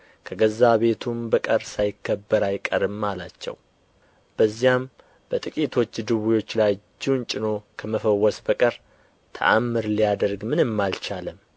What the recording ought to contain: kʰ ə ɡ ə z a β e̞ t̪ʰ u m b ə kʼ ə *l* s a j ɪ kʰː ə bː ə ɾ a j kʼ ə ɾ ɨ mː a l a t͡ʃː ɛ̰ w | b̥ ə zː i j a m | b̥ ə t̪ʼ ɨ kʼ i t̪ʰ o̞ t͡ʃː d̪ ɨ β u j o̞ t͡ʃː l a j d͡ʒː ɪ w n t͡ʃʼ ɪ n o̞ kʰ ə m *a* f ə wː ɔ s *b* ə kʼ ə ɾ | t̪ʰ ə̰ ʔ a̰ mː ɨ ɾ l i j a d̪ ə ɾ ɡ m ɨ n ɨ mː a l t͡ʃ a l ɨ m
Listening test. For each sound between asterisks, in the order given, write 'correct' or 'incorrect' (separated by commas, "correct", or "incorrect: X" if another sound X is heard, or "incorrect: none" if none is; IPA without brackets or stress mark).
incorrect: ɾ, incorrect: ə, correct